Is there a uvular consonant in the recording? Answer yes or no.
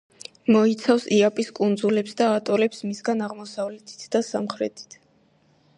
yes